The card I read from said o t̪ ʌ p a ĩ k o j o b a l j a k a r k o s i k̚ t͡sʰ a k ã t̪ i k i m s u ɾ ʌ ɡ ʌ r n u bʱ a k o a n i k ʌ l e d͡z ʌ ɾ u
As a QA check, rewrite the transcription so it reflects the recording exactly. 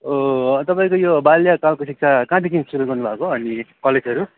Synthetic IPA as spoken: o t̪ ʌ p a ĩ k o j o b a l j a k a l k o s i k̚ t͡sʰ a k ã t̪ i k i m s u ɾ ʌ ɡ ʌ r n u bʱ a k o ʌ n i k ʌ l e d͡z ʌ ɾ u